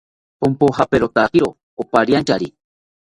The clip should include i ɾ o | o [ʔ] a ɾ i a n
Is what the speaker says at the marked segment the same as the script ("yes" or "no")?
no